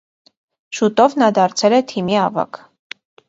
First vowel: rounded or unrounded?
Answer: rounded